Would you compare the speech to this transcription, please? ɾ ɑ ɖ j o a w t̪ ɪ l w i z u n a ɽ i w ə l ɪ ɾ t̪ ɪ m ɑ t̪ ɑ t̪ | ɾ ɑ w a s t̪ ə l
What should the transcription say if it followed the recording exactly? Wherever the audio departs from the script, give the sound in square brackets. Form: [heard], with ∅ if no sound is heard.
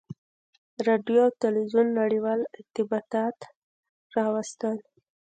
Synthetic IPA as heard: ɾ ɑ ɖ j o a w t̪ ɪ l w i z u [nː] a ɽ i w [ɑ] l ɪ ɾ t̪ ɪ [b] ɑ t̪ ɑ t̪ | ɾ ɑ w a s t̪ ə l